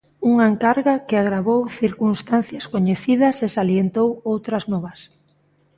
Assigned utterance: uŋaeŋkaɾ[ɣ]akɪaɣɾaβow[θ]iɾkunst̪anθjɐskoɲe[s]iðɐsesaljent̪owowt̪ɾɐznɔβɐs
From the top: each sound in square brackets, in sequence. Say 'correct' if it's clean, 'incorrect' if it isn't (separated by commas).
correct, correct, incorrect